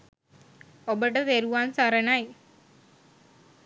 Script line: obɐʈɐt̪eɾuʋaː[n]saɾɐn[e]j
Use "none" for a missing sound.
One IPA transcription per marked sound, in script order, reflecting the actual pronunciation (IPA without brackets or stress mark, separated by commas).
n, a